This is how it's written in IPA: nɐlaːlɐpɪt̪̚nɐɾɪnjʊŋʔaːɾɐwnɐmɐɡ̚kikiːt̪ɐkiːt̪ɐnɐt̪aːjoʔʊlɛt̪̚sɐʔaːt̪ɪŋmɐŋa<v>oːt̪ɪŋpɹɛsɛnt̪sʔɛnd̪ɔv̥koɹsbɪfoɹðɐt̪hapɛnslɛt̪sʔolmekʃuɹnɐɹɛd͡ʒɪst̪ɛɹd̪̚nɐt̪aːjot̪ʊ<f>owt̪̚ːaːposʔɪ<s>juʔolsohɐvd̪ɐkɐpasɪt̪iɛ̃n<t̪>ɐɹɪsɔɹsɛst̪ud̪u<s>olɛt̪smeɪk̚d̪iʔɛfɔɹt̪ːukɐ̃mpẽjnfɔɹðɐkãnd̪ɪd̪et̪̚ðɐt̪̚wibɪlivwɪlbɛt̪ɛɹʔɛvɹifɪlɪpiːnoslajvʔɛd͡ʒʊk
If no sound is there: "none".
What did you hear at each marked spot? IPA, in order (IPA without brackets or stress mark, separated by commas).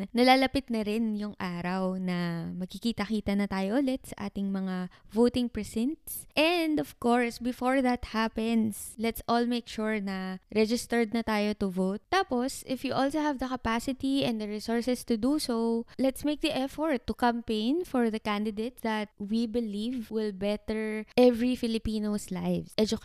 v, v, f, d̪, s